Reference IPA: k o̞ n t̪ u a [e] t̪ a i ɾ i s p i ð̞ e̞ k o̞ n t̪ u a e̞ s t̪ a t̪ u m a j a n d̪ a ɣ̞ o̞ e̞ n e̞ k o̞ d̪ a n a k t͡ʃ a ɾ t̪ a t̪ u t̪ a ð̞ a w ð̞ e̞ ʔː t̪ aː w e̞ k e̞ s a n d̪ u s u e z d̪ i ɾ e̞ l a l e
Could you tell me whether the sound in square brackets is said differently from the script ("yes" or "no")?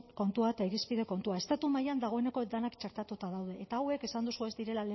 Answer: no